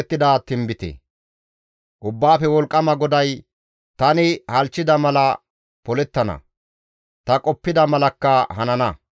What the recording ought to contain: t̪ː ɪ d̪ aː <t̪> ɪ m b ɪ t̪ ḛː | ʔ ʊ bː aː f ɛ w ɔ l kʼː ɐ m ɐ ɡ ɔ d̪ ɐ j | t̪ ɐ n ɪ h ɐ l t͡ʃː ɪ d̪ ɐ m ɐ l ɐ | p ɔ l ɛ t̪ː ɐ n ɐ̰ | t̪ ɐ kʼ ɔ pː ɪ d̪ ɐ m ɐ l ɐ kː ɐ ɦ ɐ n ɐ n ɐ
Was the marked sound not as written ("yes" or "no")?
no